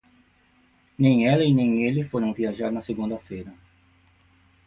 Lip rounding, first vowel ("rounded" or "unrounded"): unrounded